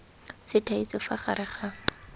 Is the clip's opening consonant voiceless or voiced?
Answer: voiceless